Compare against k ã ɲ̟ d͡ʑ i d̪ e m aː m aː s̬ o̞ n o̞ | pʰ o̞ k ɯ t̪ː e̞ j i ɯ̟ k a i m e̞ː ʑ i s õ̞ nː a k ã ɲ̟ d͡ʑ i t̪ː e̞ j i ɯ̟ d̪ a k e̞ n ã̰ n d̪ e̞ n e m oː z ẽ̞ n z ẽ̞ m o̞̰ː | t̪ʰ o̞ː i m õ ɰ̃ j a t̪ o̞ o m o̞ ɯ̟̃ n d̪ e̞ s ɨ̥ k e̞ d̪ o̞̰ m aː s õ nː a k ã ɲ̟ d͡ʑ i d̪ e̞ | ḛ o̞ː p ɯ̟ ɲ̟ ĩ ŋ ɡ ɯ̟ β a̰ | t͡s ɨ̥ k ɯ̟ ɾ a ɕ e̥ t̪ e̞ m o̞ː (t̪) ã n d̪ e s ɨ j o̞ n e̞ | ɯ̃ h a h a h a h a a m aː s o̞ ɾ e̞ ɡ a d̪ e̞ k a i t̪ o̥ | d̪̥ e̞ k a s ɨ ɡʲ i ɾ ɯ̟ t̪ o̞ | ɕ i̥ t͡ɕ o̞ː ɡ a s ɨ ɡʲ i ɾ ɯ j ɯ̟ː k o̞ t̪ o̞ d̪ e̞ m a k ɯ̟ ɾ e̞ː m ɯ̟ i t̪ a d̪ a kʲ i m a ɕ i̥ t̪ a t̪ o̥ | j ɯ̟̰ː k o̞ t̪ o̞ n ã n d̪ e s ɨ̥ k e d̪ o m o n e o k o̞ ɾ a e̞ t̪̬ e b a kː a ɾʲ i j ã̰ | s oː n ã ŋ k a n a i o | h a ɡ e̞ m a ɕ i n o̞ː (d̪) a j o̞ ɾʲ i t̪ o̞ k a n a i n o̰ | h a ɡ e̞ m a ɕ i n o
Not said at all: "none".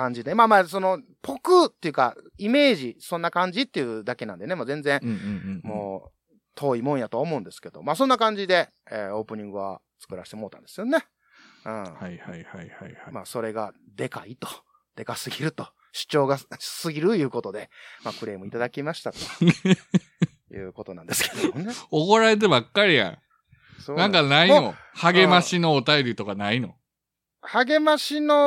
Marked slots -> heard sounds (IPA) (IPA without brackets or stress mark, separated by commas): t̪, t̪